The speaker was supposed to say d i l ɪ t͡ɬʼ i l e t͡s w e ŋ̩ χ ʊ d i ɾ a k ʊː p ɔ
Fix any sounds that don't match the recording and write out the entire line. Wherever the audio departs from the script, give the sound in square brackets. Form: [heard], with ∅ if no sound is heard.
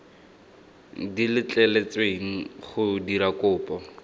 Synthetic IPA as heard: d i l ɪ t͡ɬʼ [ɛ] l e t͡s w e ŋ̩ χ ʊ d i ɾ a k ʊː p ɔ